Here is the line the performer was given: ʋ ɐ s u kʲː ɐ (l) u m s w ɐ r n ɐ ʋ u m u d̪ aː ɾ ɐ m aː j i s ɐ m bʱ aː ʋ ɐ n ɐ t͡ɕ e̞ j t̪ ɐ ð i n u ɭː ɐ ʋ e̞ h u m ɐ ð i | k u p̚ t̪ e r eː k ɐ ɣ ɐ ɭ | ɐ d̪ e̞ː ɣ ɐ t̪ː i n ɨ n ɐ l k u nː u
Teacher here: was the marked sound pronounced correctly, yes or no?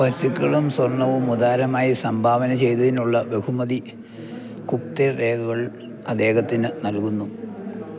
no